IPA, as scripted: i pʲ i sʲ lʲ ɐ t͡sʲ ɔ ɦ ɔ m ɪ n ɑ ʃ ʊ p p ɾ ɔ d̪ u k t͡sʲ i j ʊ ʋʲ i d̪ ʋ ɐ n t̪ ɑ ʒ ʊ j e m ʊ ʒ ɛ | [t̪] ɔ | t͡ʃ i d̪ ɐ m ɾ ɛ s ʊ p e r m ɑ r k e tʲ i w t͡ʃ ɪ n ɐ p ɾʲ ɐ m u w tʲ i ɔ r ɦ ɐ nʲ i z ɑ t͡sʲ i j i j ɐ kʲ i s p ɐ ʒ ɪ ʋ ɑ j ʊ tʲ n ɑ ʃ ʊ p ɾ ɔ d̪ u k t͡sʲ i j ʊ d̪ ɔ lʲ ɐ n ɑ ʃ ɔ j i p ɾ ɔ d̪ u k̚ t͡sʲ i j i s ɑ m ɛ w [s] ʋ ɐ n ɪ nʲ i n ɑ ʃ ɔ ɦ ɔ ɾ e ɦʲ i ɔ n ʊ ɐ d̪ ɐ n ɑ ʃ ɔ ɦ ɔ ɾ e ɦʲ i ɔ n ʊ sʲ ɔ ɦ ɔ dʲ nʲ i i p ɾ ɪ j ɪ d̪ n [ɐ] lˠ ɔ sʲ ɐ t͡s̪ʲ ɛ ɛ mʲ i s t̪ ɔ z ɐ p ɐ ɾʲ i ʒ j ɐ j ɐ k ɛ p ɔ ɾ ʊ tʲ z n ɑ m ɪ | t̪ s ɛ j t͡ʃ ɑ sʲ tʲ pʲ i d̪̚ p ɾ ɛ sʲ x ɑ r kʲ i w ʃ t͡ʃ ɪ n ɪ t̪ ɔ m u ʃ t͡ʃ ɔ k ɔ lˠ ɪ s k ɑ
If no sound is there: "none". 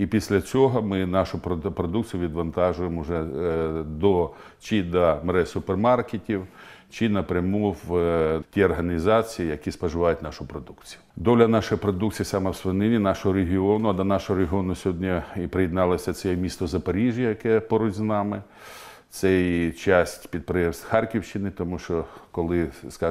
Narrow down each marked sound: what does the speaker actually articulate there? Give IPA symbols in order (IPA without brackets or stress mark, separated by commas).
d̪, s, ɑ